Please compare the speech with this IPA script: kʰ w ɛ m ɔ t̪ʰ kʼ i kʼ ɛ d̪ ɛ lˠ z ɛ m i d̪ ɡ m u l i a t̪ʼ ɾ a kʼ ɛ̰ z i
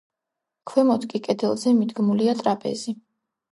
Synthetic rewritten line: kʰ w ɛ m ɔ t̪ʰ kʼ i kʼ ɛ d̪ ɛ lˠ z ɛ m i d̪ ɡ m u l i a t̪ʼ ɾ a pʼ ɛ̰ z i